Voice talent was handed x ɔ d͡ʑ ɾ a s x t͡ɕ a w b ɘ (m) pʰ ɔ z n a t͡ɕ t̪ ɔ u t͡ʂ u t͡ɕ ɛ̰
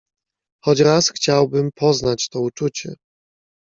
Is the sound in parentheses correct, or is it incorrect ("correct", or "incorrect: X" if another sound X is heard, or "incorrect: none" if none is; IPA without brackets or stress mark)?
correct